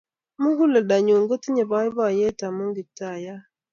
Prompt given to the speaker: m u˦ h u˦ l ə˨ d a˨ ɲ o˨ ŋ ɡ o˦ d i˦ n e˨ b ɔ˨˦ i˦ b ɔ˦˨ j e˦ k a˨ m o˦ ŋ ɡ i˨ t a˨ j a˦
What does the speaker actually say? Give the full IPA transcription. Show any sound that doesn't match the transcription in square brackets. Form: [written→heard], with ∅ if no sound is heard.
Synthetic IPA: m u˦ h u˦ l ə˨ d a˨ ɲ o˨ ŋ ɡ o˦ [d→t] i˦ [n→ɲ] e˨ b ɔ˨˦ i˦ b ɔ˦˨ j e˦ [k→t] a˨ m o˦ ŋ ɡ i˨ t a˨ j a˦